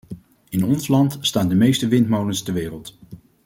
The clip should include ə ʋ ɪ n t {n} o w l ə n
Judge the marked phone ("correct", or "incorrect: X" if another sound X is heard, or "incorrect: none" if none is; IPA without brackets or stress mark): incorrect: m